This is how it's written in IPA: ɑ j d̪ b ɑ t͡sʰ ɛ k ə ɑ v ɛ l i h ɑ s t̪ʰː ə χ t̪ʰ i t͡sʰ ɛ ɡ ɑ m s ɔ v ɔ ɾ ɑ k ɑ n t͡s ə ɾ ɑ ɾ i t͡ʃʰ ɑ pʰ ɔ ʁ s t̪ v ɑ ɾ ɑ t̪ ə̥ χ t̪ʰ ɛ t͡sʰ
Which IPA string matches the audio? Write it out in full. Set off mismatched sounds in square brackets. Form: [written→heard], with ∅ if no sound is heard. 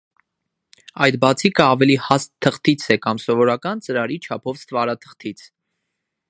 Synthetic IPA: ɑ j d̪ b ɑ t͡sʰ [ɛ→i] k ə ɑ v ɛ l i h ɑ s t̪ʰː ə χ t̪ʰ i t͡sʰ ɛ [ɡ→k] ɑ m s ɔ v ɔ ɾ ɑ k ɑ n t͡s ə ɾ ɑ ɾ i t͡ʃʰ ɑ pʰ ɔ [ʁ→v] s t̪ v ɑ ɾ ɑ [t̪→t̪ʰ] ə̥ χ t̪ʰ [ɛ→i] t͡sʰ